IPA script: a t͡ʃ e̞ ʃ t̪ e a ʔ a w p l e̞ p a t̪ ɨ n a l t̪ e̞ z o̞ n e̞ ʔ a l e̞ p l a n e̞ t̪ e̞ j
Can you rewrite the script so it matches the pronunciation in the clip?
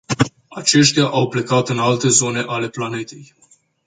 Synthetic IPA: a t͡ʃ e̞ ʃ t̪ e a ʔ a w p l e̞ k a t̪ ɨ n a l t̪ e̞ z o̞ n e̞ ʔ a l e̞ p l a n e̞ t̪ e̞ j